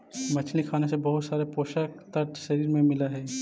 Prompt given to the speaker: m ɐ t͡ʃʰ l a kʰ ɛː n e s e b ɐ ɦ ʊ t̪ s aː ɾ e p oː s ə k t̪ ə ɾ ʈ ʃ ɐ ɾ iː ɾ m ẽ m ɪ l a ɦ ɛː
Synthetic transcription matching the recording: m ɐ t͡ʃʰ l i kʰ aː n e s e b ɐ ɦ ʊ t̪ s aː ɾ e p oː ʃ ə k t̪ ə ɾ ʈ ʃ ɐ ɾ iː ɾ m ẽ m ɪ l a ɦ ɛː